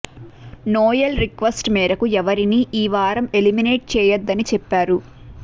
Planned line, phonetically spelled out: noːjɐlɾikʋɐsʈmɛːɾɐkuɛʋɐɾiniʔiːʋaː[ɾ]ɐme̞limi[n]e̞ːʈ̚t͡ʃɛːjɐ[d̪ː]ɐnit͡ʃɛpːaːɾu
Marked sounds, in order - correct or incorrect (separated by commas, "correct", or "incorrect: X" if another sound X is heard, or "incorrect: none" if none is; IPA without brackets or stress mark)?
correct, correct, correct